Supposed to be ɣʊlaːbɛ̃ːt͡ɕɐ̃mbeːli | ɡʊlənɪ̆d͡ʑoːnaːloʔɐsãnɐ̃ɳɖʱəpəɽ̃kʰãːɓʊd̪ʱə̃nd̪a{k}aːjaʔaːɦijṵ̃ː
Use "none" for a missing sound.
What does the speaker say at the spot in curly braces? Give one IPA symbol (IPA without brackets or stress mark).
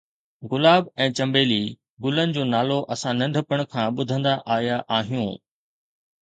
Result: ʔ